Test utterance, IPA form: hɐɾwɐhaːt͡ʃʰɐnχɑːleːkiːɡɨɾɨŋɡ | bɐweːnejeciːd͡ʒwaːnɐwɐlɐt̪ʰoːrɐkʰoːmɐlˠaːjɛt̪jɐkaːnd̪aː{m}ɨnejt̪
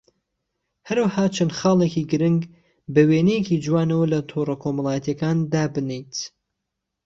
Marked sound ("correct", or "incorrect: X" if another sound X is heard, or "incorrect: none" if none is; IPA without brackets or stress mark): incorrect: b